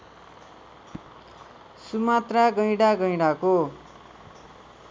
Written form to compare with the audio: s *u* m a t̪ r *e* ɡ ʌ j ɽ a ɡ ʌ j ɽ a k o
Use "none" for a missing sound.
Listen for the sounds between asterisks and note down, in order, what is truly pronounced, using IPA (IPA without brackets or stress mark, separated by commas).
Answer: u, a